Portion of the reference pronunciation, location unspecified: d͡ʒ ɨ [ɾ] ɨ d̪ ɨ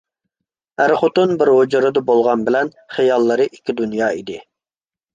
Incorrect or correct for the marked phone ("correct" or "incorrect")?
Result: correct